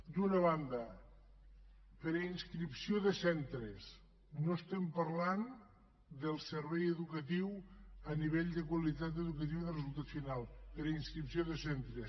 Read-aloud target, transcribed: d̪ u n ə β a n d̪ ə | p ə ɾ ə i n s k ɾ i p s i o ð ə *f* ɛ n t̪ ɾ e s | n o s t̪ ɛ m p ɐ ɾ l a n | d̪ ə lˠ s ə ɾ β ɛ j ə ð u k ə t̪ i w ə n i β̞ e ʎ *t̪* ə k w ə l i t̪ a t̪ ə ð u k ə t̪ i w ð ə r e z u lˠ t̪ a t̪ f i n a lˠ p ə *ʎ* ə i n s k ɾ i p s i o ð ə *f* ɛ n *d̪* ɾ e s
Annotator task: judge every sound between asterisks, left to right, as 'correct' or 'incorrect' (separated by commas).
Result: incorrect, incorrect, incorrect, incorrect, incorrect